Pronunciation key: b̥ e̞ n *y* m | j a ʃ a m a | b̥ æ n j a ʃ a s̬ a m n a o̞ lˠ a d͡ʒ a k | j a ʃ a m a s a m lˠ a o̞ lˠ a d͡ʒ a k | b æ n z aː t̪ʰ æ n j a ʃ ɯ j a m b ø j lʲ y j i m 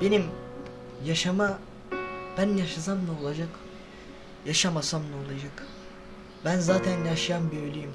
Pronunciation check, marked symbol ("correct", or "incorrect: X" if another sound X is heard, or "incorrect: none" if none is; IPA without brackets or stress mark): incorrect: i